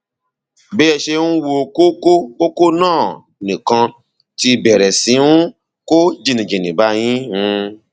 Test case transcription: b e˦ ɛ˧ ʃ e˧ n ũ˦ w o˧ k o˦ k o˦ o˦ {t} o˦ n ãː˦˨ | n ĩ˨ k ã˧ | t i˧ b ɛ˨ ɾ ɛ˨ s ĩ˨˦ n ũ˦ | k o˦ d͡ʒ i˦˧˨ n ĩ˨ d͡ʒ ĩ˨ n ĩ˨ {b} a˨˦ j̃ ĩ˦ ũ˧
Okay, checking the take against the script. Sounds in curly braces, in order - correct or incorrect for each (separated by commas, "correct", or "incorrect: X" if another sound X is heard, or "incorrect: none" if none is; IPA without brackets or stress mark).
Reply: incorrect: k, correct